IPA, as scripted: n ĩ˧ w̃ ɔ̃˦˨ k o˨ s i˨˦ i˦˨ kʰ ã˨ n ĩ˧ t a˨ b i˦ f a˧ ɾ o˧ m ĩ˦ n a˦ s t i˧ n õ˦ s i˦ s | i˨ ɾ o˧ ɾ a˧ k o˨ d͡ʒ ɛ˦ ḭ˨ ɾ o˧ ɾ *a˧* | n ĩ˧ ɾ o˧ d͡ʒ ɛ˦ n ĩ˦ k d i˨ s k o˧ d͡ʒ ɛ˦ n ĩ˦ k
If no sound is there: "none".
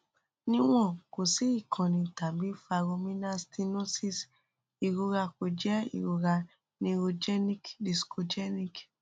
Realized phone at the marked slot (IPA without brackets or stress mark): a˧